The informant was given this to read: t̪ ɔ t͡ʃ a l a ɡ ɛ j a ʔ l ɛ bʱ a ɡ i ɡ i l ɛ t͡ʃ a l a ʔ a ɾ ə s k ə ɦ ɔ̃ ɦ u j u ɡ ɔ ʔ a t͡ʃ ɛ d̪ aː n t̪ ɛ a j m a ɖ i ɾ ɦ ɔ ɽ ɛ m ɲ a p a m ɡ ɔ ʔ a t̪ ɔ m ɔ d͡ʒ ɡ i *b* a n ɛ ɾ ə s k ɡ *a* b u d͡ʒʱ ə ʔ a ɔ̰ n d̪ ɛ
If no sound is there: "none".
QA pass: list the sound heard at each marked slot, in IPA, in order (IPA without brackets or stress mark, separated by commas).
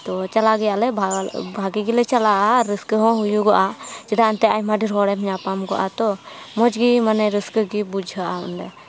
m, i